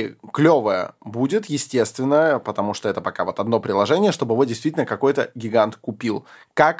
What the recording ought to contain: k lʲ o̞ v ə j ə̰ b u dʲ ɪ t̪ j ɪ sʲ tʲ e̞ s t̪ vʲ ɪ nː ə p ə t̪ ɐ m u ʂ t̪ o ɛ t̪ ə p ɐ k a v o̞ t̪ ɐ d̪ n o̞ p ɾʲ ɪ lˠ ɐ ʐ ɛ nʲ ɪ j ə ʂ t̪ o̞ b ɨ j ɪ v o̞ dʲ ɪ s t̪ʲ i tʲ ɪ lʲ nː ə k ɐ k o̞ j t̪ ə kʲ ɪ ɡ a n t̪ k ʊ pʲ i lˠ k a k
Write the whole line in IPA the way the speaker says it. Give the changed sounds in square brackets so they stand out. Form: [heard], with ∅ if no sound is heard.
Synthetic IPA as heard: k lʲ o̞ v ə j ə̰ b u dʲ ɪ t̪ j ɪ sʲ tʲ e̞ s t̪ vʲ ɪ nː ə p ə t̪ ɐ m u ʂ t̪ o ɛ t̪ ə p ɐ k a v o̞ t̪ ɐ d̪ n o̞ p ɾʲ ɪ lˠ ɐ ʐ ɛ nʲ ɪ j ə ʂ t̪ o̞ b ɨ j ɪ v o̞ dʲ ɪ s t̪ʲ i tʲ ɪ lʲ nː ə k ɐ k o̞ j t̪ ə [ɡʲ] ɪ ɡ a n t̪ k ʊ pʲ i lˠ k a k